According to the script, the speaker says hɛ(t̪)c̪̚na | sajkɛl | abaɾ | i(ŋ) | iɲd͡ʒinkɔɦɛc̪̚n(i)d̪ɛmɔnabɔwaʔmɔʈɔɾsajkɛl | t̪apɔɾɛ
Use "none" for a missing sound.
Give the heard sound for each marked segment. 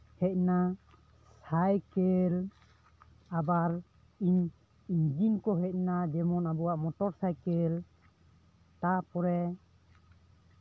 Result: none, ɲ, a

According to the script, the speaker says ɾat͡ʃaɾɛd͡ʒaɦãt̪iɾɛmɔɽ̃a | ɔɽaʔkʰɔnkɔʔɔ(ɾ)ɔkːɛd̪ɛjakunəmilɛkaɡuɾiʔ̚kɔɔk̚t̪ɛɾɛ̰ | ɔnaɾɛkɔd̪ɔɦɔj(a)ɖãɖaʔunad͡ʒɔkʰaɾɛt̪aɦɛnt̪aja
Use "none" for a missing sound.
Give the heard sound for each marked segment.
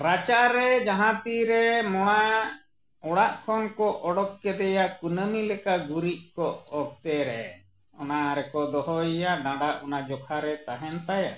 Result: ɽ, a

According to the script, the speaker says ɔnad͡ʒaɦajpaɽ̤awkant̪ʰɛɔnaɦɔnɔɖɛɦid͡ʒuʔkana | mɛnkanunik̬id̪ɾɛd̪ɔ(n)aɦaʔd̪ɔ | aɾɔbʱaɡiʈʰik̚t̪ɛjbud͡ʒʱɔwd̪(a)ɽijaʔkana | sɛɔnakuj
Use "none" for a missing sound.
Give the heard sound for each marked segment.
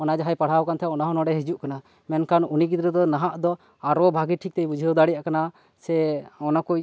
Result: n, a

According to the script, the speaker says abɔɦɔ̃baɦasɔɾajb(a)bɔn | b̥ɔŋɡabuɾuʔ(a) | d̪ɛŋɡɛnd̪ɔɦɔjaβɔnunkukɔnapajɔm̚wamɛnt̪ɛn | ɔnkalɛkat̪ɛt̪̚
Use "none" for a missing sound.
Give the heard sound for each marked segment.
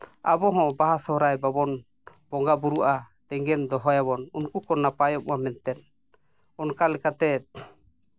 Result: a, a

